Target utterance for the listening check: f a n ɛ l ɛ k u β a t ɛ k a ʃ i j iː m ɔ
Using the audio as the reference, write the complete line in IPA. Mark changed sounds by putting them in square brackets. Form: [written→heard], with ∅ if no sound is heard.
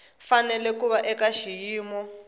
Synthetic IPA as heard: f a n ɛ l ɛ k u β a [t→ʔ] ɛ k a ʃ i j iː m ɔ